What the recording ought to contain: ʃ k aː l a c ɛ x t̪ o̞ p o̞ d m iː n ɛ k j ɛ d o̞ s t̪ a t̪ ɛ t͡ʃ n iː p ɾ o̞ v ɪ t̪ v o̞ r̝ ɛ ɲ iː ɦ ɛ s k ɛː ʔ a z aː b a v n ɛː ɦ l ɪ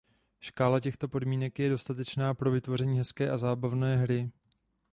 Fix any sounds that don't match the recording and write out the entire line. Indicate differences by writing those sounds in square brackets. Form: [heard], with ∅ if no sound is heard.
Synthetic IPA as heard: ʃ k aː l a c ɛ x t̪ o̞ p o̞ d m iː n ɛ k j ɛ d o̞ s t̪ a t̪ ɛ t͡ʃ n [aː] p ɾ o̞ v ɪ t̪ v o̞ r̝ ɛ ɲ iː ɦ ɛ s k ɛː ʔ a z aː b a v n ɛː ɦ [ɾ] ɪ

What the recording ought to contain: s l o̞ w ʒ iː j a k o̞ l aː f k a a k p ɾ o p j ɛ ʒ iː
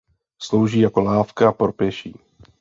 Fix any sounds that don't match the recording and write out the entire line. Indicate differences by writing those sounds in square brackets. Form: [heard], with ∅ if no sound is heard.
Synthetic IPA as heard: s l o̞ w ʒ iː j a k o̞ l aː f k a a [∅] p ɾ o p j ɛ [ʃ] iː

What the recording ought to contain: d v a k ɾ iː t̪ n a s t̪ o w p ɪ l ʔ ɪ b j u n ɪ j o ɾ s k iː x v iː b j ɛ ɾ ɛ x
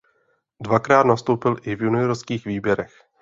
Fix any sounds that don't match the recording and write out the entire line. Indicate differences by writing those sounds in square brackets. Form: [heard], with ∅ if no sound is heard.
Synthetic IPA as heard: d v a k ɾ [aː] t̪ n a s t̪ o w p ɪ l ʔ ɪ [v] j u n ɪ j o ɾ s k iː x v iː b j ɛ ɾ ɛ x

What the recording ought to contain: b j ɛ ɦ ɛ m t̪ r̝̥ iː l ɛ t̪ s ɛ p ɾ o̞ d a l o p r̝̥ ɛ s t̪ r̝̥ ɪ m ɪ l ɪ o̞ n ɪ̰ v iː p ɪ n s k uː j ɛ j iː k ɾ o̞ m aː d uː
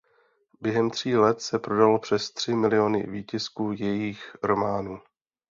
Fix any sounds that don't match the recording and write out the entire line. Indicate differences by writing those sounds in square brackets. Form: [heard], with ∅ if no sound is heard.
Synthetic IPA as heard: b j ɛ ɦ ɛ m t̪ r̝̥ iː l ɛ t̪ s ɛ p ɾ o̞ d a l o p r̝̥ ɛ s t̪ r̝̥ ɪ m ɪ l ɪ o̞ n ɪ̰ v iː [c] ɪ [∅] s k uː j ɛ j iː [x] ɾ o̞ m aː [n] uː

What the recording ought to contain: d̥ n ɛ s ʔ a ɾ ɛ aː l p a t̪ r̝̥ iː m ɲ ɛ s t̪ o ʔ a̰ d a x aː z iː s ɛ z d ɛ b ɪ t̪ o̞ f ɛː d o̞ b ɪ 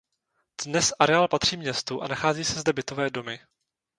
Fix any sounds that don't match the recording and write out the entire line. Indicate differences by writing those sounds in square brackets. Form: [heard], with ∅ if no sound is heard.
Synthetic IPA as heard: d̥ n ɛ s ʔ a ɾ ɛ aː l p a t̪ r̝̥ iː m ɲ ɛ s t̪ [u] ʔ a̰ [n] a x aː z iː s ɛ z d ɛ b ɪ t̪ o̞ [v] ɛː d o̞ [m] ɪ

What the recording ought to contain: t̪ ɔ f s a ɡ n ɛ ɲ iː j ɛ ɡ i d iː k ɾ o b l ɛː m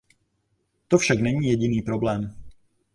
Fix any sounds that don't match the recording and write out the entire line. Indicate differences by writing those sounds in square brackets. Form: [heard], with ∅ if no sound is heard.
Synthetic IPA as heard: t̪ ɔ f [ʃ] a ɡ n ɛ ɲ iː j ɛ [ɟ] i [n] iː [p] ɾ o b l ɛː m

